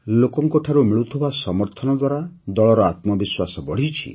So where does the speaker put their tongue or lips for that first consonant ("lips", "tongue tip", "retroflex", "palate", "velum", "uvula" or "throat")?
tongue tip